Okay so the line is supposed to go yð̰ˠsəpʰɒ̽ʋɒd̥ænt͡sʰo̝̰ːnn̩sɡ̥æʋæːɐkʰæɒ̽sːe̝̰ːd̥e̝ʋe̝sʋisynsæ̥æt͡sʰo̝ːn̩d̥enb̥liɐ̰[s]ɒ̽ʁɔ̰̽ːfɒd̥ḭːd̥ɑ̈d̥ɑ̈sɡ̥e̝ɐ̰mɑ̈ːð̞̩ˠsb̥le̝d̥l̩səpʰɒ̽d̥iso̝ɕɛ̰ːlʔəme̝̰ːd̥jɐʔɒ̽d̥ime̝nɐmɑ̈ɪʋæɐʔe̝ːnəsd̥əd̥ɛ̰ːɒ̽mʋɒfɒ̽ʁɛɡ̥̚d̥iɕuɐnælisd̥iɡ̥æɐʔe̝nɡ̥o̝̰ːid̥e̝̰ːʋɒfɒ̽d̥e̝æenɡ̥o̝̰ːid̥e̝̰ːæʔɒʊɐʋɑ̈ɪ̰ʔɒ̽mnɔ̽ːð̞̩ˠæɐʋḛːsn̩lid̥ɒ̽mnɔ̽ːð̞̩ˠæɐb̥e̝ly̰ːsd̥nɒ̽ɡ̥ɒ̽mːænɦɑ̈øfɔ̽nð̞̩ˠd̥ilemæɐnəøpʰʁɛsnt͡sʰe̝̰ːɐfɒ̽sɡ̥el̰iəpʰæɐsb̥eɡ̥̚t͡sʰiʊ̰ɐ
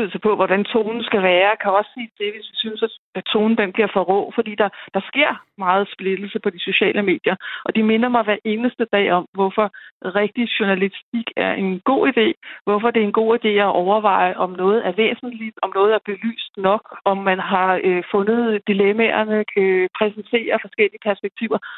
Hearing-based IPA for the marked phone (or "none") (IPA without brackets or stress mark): f